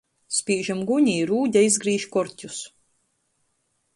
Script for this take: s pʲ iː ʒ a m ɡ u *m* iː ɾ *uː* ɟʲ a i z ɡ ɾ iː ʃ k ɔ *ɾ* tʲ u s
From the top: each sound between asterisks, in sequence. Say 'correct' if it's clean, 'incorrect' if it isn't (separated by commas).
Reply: incorrect, correct, correct